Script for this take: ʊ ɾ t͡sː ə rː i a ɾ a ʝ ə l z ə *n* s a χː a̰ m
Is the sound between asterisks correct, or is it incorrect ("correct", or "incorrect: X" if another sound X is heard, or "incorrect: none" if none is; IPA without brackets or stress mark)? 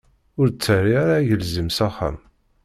incorrect: m